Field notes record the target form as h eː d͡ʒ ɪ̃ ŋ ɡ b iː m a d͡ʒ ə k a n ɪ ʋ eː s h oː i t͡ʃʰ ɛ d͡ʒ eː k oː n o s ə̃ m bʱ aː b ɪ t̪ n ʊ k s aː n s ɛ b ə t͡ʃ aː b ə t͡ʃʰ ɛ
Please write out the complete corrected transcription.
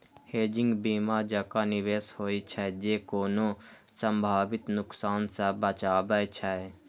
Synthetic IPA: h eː d͡ʒ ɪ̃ ŋ ɡ b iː m a d͡ʒ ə k a n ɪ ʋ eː s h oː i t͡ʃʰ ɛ d͡ʒ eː k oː n o s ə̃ m bʱ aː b ɪ t̪ n ʊ k s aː n s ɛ b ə t͡ʃ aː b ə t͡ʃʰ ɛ

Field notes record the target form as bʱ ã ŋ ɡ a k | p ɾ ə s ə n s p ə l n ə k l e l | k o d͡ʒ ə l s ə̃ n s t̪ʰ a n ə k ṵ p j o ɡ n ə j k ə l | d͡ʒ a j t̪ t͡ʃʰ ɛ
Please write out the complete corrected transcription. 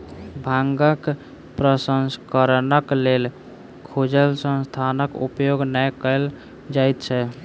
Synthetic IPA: bʱ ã ŋ ɡ ə k | p ɾ ə s ə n s k ə ɾ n ə k l e l | kʰ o d͡ʒ ə l s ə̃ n s t̪ʰ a n ə k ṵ p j o ɡ n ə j k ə l | d͡ʒ a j t̪ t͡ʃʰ ɛ

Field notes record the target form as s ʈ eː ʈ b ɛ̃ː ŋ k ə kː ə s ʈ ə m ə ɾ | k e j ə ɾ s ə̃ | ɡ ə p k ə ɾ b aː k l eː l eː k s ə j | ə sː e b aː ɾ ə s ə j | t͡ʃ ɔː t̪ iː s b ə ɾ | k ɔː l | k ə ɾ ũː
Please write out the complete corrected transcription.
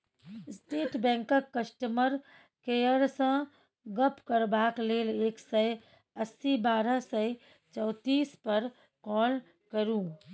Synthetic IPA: s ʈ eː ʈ b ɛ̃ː ŋ k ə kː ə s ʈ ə m ə ɾ | k e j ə ɾ s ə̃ | ɡ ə p k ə ɾ b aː k l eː l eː k s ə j | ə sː i b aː ɾ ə s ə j | t͡ʃ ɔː t̪ iː s p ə ɾ | k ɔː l | k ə ɾ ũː

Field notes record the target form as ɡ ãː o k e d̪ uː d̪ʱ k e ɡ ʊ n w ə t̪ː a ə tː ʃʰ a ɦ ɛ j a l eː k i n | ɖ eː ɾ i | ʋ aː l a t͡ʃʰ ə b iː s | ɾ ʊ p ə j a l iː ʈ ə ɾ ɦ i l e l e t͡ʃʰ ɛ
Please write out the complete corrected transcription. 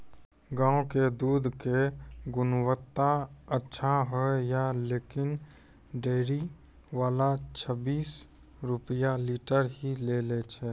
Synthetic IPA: ɡ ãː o k e d̪ uː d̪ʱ k e ɡ ʊ n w ə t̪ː a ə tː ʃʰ a ɦ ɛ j a l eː k ɪ n | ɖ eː ɾ i | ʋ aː l a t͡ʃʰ ə b iː s | ɾ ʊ p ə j a l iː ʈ ə ɾ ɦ i l e l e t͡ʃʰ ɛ

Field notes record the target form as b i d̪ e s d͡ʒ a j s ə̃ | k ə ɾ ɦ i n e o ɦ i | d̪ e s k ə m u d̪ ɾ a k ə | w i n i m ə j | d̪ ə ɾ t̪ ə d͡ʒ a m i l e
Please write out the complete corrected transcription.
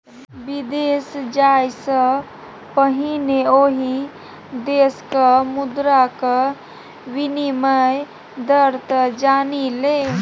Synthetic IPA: b i d̪ e s d͡ʒ a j s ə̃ | p ə ɦ i n e o ɦ i | d̪ e s k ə m u d̪ ɾ a k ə | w i n i m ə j | d̪ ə ɾ t̪ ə d͡ʒ a n i l e

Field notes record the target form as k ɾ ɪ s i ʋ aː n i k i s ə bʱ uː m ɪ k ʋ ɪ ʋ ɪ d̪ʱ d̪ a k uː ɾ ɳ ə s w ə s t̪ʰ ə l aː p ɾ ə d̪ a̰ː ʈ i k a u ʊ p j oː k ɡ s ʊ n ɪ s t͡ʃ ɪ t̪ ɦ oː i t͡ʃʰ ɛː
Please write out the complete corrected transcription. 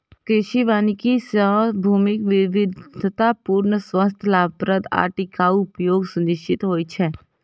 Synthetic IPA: k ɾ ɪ ʃ i ʋ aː n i k i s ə bʱ uː m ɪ k ʋ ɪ ʋ ɪ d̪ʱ t̪ a p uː ɾ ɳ ə s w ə s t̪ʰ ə l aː p ɾ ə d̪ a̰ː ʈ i k a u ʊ p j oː ɡ s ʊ n ɪ ʃ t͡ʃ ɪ t̪ ɦ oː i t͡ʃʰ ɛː

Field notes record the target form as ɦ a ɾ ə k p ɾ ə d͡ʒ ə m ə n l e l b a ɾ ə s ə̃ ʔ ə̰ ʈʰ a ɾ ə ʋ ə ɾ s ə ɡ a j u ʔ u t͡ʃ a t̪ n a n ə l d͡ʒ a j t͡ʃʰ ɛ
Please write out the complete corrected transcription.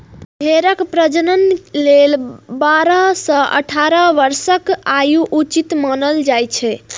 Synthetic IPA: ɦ e ɾ ə k p ɾ ə d͡ʒ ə n ə n l e l b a ɾ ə s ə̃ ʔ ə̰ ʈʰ a ɾ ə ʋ ə ɾ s ə k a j u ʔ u t͡ʃ i t̪ m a n ə l d͡ʒ a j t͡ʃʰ ɛ

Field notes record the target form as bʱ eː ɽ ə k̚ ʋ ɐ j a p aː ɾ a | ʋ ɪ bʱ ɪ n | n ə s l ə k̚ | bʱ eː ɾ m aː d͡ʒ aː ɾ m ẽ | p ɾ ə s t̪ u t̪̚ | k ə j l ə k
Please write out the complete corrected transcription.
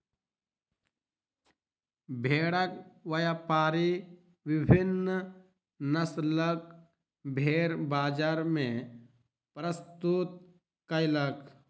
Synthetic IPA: bʱ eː ɽ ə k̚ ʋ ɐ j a p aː ɾ i | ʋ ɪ bʱ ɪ n | n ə s l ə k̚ | bʱ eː ɾ b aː d͡ʒ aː ɾ m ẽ | p ɾ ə s t̪ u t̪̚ | k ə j l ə k

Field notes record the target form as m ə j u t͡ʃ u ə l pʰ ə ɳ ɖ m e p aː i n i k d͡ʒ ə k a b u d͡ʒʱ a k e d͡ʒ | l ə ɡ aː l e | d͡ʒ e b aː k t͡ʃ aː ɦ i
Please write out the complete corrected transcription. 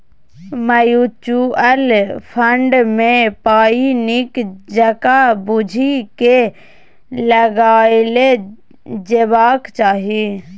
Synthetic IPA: m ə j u t͡ʃ u ə l pʰ ə ɳ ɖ m e p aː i n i k d͡ʒ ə k a b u d͡ʒʱ i k e | l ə ɡ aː l e | d͡ʒ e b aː k t͡ʃ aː ɦ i

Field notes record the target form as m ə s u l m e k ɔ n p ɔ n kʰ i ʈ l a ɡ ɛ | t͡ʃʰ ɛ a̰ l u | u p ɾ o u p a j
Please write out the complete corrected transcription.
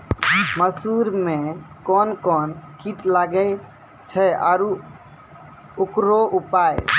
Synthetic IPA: m ə s u ɾ m e k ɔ n k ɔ n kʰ i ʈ l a ɡ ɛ | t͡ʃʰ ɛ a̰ ɾ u | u k ɾ o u p a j

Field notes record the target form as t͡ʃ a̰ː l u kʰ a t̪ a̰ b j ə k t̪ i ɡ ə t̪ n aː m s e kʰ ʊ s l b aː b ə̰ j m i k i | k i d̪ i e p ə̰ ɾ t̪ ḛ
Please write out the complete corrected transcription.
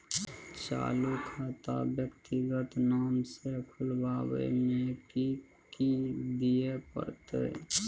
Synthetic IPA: t͡ʃ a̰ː l u kʰ a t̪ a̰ b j ə k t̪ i ɡ ə t̪ n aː m s e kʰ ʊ l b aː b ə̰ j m e k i | k i d̪ i e p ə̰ ɾ t̪ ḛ

